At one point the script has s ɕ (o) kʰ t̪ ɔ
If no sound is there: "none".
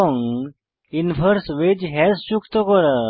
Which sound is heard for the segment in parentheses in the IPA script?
u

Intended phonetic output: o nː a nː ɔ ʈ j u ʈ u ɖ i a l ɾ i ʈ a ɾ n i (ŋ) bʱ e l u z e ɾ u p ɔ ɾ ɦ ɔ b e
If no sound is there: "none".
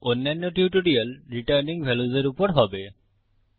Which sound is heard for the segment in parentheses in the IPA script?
ŋ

